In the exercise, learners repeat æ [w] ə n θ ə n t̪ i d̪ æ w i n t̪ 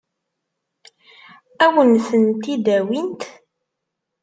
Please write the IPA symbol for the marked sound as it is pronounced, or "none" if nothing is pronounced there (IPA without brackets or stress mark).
w